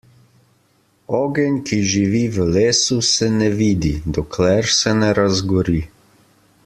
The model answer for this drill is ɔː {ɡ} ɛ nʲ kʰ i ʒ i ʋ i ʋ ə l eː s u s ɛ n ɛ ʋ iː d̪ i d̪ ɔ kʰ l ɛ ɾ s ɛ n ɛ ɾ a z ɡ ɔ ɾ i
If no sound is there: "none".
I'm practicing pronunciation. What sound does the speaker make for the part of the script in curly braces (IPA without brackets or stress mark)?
ɡ